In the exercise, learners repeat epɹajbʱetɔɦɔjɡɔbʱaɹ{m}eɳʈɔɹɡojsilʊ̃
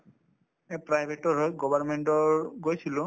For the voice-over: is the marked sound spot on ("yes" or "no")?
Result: yes